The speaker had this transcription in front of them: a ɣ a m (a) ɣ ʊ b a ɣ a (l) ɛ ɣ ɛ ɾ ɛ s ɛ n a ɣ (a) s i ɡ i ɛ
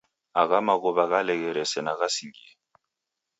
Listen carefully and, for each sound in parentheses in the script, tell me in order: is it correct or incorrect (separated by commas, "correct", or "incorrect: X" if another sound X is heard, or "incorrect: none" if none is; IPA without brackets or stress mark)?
correct, correct, correct